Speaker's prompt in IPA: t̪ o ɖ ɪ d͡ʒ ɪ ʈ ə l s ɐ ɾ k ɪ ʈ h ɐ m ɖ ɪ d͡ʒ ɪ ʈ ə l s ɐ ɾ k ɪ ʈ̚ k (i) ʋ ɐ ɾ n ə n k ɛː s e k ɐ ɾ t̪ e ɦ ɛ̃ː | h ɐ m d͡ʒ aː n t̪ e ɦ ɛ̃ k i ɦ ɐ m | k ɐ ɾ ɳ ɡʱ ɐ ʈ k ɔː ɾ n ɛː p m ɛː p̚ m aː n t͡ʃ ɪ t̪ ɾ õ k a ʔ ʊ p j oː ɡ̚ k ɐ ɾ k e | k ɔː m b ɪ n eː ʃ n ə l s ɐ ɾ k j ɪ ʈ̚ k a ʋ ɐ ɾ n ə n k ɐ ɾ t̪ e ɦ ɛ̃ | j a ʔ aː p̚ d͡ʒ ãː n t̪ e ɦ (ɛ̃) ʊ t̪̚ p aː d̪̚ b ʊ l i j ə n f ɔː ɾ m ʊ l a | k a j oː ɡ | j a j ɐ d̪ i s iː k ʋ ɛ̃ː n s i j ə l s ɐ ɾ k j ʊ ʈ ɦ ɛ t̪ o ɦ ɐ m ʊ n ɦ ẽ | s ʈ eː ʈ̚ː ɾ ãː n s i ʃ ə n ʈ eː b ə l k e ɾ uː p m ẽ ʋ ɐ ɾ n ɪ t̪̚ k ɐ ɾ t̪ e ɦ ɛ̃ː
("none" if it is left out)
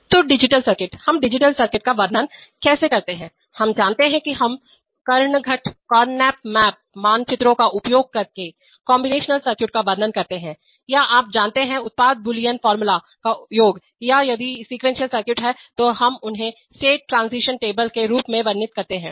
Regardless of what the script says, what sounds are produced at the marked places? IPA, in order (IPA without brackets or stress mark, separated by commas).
a, ɛ̃